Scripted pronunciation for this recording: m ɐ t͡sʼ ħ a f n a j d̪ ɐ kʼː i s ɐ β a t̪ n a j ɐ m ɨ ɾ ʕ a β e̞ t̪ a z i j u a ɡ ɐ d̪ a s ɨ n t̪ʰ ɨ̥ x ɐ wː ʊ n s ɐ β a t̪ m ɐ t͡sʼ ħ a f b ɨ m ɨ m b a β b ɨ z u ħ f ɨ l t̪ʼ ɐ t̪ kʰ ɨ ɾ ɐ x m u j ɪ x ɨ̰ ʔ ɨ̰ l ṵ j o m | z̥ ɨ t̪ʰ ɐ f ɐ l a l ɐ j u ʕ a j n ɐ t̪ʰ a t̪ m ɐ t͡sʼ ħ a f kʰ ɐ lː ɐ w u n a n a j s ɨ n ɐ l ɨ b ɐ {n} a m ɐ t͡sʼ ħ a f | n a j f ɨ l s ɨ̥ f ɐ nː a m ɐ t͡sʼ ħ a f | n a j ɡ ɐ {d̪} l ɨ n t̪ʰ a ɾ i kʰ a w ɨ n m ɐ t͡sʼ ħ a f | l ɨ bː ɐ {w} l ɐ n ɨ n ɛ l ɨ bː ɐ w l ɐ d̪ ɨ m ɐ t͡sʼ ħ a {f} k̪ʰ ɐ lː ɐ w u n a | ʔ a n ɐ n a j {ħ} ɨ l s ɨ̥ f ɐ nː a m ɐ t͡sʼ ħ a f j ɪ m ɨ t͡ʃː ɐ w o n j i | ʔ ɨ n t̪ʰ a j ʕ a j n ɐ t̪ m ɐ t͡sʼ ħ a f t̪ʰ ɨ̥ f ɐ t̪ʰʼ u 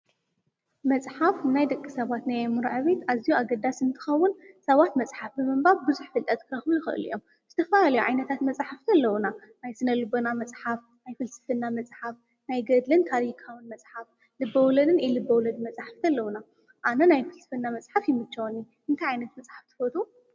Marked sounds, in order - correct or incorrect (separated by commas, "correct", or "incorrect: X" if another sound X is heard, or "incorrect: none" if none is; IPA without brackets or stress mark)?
correct, correct, correct, correct, incorrect: f